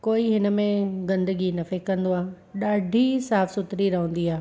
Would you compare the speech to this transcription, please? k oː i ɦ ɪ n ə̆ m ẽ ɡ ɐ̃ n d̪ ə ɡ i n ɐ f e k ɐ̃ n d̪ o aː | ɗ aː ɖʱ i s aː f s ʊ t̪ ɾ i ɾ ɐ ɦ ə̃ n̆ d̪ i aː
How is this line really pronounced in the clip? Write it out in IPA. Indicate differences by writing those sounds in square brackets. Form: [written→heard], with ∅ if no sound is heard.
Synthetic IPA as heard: k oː i ɦ ɪ n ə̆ m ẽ ɡ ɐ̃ n d̪ ə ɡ i n ɐ f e k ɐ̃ n d̪ o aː | ɗ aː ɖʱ i s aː f s ʊ t̪ ɾ i ɾ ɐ ɦ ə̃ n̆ d̪ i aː